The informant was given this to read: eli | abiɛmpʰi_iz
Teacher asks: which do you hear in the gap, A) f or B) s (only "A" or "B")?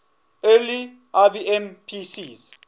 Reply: B